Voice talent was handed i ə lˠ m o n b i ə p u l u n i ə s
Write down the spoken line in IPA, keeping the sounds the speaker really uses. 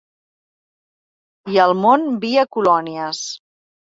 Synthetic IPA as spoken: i ə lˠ m o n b i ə k u l ɔ n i ə s